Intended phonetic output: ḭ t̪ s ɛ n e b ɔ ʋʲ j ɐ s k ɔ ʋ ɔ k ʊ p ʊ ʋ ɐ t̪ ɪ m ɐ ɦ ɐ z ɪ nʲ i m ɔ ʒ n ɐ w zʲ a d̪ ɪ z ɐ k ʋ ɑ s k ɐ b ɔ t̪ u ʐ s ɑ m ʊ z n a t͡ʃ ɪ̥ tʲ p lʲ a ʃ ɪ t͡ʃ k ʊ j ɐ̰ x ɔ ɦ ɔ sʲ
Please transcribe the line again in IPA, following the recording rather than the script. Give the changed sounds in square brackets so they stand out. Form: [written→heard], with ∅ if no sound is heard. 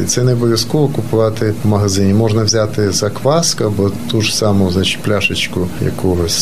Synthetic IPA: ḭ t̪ s ɛ n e b ɔ ʋʲ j ɐ s k ɔ ʋ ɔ k ʊ p ʊ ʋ [ɐ→ɑ] t̪ ɪ m ɐ ɦ ɐ z ɪ nʲ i m ɔ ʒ n ɐ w zʲ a [d̪→t̪] ɪ z ɐ k ʋ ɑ s k ɐ b ɔ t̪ u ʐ s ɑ m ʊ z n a t͡ʃ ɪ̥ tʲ p lʲ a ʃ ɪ t͡ʃ k ʊ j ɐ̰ [x→k] ɔ ɦ ɔ sʲ